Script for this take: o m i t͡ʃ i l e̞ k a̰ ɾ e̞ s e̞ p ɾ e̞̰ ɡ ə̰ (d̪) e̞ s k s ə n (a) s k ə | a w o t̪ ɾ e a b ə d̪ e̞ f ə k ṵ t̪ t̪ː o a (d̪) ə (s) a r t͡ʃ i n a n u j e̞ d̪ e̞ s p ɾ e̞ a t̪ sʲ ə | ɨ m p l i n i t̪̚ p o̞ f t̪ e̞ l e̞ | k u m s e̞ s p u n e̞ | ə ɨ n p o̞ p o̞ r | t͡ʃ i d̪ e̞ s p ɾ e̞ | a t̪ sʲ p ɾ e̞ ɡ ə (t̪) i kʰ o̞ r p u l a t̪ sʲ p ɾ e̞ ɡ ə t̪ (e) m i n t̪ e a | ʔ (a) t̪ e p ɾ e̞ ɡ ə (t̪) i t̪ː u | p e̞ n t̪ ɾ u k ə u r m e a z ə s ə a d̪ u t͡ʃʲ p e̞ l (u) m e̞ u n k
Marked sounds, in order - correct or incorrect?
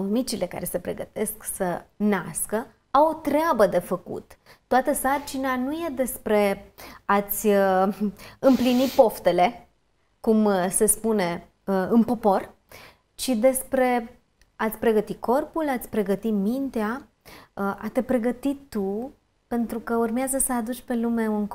incorrect: t̪, correct, incorrect: t̪, correct, correct, incorrect: i, correct, correct, correct

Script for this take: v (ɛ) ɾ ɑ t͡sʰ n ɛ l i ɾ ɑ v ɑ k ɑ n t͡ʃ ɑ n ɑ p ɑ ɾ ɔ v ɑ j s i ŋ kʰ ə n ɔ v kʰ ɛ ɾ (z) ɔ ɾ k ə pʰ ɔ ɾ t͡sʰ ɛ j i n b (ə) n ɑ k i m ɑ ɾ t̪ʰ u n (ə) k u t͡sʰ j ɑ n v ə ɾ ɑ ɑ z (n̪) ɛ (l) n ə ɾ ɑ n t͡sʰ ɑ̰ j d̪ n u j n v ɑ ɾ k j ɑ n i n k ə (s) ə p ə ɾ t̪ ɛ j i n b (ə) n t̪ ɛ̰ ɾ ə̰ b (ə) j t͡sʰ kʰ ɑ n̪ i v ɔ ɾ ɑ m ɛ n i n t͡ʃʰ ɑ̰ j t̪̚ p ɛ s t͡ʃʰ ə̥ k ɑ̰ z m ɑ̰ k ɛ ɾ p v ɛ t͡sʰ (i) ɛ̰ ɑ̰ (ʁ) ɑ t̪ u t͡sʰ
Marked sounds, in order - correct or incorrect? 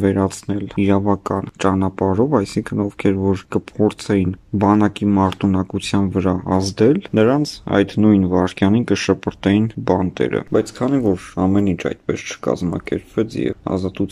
correct, incorrect: v, incorrect: ɑ, incorrect: ɑ, incorrect: d̪, correct, incorrect: ʃ, incorrect: ɑ, incorrect: ɑ, incorrect: j, incorrect: z

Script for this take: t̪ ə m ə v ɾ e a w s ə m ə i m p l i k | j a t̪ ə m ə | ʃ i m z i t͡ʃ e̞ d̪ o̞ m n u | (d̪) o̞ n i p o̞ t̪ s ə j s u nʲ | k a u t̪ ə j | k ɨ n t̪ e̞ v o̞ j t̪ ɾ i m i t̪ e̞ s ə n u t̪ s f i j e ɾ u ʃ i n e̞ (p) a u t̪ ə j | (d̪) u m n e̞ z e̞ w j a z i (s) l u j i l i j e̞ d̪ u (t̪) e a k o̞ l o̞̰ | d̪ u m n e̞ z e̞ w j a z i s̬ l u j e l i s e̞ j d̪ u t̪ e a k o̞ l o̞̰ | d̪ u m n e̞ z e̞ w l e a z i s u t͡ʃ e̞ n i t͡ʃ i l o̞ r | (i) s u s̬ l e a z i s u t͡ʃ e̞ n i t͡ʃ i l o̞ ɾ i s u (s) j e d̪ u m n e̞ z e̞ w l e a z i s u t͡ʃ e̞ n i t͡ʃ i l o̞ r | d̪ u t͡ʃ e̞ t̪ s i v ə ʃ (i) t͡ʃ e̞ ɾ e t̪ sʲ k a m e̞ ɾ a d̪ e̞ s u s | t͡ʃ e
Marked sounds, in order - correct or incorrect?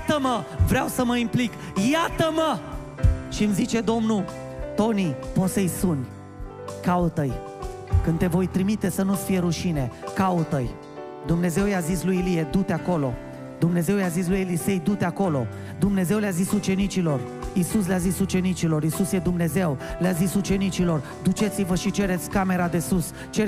incorrect: t̪, incorrect: k, correct, correct, correct, correct, correct, correct

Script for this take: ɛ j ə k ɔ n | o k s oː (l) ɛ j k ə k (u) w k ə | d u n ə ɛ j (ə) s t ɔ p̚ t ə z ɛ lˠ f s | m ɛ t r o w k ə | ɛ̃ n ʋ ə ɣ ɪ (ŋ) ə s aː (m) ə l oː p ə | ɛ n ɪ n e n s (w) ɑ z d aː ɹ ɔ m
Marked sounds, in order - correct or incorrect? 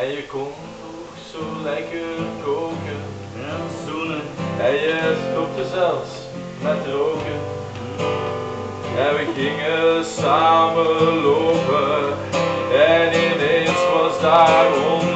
correct, incorrect: o, correct, correct, correct, incorrect: ʋ

